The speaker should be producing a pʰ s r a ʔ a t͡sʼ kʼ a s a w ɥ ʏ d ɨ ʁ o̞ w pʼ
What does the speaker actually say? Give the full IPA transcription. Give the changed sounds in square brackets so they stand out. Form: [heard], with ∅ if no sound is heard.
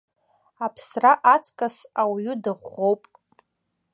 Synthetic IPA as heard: a pʰ s r a ʔ a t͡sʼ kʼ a s a w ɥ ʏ d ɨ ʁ o̞ w pʼ